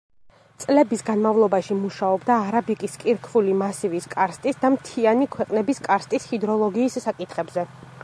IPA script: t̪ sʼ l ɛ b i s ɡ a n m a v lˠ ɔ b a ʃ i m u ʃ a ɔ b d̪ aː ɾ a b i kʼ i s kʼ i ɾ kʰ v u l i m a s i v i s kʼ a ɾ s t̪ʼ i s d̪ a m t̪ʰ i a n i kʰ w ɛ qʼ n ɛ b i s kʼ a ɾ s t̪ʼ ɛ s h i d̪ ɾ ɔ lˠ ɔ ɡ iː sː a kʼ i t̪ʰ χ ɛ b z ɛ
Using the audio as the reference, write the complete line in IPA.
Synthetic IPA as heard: t̪ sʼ l ɛ b i s ɡ a n m a v lˠ ɔ b a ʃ i m u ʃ a ɔ b d̪ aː ɾ a b i kʼ i s kʼ i ɾ kʰ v u l i m a s i v i s kʼ a ɾ s t̪ʼ i s d̪ a m t̪ʰ i a n i kʰ w ɛ qʼ n ɛ b i s kʼ a ɾ s t̪ʼ i s h i d̪ ɾ ɔ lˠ ɔ ɡ iː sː a kʼ i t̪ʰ χ ɛ b z ɛ

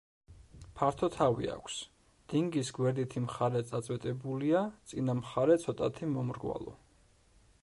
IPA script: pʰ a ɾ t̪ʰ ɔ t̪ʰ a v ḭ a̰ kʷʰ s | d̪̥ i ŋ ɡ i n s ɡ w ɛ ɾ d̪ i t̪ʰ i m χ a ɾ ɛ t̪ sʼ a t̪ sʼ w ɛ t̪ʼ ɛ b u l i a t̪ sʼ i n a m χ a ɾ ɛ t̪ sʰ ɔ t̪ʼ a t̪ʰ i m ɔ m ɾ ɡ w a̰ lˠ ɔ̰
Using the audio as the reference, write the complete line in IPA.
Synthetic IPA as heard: pʰ a ɾ t̪ʰ ɔ t̪ʰ a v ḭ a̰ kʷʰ s | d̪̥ i ŋ ɡ i s ɡ w ɛ ɾ d̪ i t̪ʰ i m χ a ɾ ɛ t̪ sʼ a t̪ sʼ w ɛ t̪ʼ ɛ b u l i a t̪ sʼ i n a m χ a ɾ ɛ t̪ sʰ ɔ t̪ʼ a t̪ʰ i m ɔ m ɾ ɡ w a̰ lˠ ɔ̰

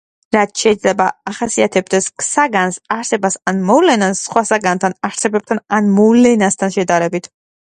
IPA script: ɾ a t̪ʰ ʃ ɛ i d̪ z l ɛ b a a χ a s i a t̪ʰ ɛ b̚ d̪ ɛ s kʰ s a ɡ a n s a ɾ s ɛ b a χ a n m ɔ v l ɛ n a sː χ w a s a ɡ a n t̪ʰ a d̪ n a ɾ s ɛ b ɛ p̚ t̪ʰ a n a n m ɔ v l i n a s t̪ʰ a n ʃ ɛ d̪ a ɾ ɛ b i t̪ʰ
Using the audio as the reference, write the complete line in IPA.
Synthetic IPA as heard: ɾ a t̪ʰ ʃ ɛ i d̪ z l ɛ b a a χ a s i a t̪ʰ ɛ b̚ d̪ ɛ s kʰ s a ɡ a n s a ɾ s ɛ b a s a n m ɔ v l ɛ n a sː χ w a s a ɡ a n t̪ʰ a n a ɾ s ɛ b ɛ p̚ t̪ʰ a n a n m ɔ v l ɛ n a s t̪ʰ a n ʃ ɛ d̪ a ɾ ɛ b i t̪ʰ

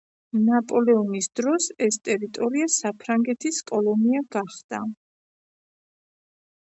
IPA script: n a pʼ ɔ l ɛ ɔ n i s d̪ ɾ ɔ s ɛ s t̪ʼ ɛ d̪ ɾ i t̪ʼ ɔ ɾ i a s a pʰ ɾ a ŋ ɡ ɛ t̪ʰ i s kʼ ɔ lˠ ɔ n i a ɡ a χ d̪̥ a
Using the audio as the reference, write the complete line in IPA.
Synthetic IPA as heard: n a pʼ ɔ l ɛ ɔ n i s d̪ ɾ ɔ s ɛ s t̪ʼ ɛ ɾ i t̪ʼ ɔ ɾ i a s a pʰ ɾ a ŋ ɡ ɛ t̪ʰ i s kʼ ɔ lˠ ɔ n i a ɡ a χ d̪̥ a

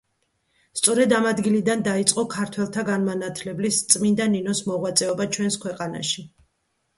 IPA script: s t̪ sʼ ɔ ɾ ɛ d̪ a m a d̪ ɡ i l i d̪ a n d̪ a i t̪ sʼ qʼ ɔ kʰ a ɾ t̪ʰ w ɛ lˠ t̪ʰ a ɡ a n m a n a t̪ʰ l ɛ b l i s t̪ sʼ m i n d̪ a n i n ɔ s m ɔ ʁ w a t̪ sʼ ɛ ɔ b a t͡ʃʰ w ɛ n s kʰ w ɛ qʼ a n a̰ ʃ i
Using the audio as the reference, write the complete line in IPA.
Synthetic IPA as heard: s t̪ sʼ ɔ ɾ ɛ d̪ a m a d̪ ɡ i l i d̪ a n d̪ a i t̪ sʼ qʼ ɔ kʰ a ɾ t̪ʰ w ɛ lˠ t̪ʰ a ɡ a n m a n a t̪ʰ l ɛ b l i s t̪ sʼ m i n d̪ a n i n ɔ s m ɔ ʁ w a t̪ sʼ ɛ ɔ b a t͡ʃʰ w ɛ n s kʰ w ɛ qʼ a n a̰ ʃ i

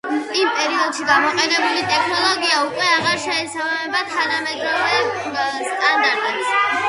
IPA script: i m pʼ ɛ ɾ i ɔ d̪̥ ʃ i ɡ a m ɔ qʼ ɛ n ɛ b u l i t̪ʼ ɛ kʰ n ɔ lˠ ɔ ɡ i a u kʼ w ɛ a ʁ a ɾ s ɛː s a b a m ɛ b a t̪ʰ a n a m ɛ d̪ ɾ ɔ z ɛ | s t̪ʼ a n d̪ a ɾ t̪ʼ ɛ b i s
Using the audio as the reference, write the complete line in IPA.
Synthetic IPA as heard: i m pʼ ɛ ɾ i ɔ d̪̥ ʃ i ɡ a m ɔ qʼ ɛ n ɛ b u l i t̪ʼ ɛ kʰ n ɔ lˠ ɔ ɡ i a u kʼ w ɛ a ʁ a ɾ ʃ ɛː s a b a m ɛ b a t̪ʰ a n a m ɛ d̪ ɾ ɔ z ɛ | s t̪ʼ a n d̪ a ɾ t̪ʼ ɛ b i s

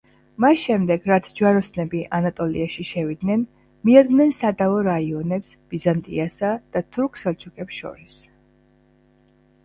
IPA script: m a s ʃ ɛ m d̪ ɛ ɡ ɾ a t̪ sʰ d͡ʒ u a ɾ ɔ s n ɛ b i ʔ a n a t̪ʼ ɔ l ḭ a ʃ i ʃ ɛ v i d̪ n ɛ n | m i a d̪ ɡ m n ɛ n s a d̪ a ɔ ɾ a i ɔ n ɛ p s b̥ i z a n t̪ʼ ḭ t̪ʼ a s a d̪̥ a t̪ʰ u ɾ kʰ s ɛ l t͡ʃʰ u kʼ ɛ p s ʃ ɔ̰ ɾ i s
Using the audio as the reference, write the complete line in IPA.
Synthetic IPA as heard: m a s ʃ ɛ m d̪ ɛ ɡ ɾ a t̪ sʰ d͡ʒ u a ɾ ɔ s n ɛ b i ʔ a n a t̪ʼ ɔ l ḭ a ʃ i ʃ ɛ v i d̪ n ɛ n | m i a d̪ ɡ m n ɛ n s a d̪ a ɔ ɾ a i ɔ n ɛ p s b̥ i z a n t̪ʼ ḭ a s a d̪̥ a t̪ʰ u ɾ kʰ s ɛ l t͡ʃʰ u kʼ ɛ p s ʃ ɔ̰ ɾ i s

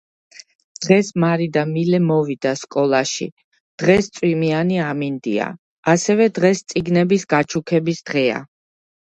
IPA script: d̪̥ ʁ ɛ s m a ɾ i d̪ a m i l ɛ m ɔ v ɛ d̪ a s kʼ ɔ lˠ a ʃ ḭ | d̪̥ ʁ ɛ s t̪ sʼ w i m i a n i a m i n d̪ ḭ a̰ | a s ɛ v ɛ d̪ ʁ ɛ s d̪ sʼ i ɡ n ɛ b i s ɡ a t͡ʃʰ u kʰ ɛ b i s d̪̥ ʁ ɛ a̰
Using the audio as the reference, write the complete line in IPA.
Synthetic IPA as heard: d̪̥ ʁ ɛ s m a ɾ i d̪ a m i l ɛ m ɔ v i d̪ a s kʼ ɔ lˠ a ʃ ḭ | d̪̥ ʁ ɛ s t̪ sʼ w i m i a n i a m i n d̪ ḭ a̰ | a s ɛ v ɛ d̪ ʁ ɛ s t̪ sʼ i ɡ n ɛ b i s ɡ a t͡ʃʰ u kʰ ɛ b i s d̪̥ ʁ ɛ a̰

